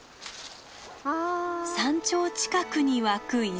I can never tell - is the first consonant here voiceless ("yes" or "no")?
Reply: yes